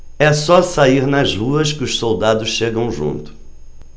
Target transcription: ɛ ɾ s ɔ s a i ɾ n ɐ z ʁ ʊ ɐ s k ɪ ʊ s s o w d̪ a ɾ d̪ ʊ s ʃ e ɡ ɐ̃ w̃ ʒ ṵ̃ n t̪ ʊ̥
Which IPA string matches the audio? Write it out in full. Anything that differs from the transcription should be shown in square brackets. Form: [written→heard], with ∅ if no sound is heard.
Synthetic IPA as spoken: ɛ [ɾ→∅] s ɔ s a i ɾ n ɐ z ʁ [ʊ→u] ɐ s k ɪ ʊ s s o w d̪ a [ɾ→∅] d̪ ʊ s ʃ e ɡ ɐ̃ w̃ ʒ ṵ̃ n t̪ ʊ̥